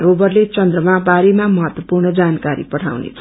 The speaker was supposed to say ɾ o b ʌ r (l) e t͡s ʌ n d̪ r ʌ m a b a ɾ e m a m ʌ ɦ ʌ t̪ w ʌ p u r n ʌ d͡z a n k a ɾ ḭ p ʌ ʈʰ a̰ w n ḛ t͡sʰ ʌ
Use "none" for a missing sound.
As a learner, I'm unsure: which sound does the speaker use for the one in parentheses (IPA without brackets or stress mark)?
l